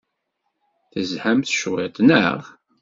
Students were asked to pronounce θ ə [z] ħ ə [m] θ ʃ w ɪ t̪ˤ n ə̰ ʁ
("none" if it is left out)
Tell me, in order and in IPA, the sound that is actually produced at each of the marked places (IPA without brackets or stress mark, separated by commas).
z, m